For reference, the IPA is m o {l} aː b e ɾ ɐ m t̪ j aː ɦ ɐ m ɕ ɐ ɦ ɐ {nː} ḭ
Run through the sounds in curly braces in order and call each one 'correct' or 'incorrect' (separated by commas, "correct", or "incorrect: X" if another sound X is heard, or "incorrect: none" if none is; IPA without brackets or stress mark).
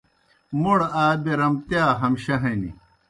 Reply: incorrect: ɽ, incorrect: n